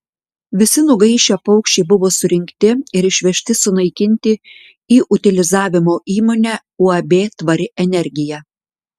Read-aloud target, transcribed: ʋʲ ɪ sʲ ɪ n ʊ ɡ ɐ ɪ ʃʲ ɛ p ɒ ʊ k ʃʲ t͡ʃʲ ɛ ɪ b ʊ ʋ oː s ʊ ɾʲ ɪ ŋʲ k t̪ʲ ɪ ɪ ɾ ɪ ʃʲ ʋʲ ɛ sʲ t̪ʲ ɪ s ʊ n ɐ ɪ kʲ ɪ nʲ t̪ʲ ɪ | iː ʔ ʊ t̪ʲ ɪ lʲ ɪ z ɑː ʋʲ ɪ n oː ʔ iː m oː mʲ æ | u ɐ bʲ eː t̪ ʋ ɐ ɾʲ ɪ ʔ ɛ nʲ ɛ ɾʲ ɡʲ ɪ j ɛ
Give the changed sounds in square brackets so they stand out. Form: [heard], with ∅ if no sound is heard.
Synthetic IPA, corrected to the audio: ʋʲ ɪ sʲ ɪ n ʊ ɡ ɐ ɪ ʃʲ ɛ p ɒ ʊ k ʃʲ t͡ʃʲ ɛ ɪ b ʊ ʋ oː s ʊ ɾʲ ɪ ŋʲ k t̪ʲ ɪ ɪ ɾ ɪ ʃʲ ʋʲ ɛ [ʃʲ] t̪ʲ ɪ s ʊ n ɐ ɪ kʲ ɪ nʲ t̪ʲ ɪ | iː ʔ ʊ t̪ʲ ɪ lʲ ɪ z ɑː ʋʲ ɪ [m] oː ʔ iː m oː [nʲ] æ | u ɐ bʲ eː t̪ ʋ ɐ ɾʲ ɪ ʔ ɛ nʲ ɛ ɾʲ ɡʲ ɪ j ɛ